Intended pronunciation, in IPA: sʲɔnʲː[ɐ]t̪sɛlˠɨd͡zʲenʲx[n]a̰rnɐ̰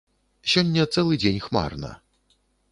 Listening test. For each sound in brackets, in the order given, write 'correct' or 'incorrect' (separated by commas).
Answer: correct, incorrect